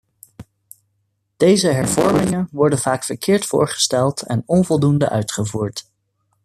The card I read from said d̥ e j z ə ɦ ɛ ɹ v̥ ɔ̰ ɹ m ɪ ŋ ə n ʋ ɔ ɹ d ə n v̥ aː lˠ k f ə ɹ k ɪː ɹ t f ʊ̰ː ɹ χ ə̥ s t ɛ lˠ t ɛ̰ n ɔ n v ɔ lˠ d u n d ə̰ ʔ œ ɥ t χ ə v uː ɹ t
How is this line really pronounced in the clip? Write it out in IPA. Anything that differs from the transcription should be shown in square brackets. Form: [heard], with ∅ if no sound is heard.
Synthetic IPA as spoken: d̥ e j z ə ɦ ɛ ɹ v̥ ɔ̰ ɹ m ɪ ŋ ə n ʋ ɔ ɹ d ə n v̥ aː [∅] k f ə ɹ k ɪː ɹ t f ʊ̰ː ɹ χ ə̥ s t ɛ lˠ t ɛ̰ n ɔ n v ɔ lˠ d u n d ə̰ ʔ œ ɥ t χ ə v uː ɹ t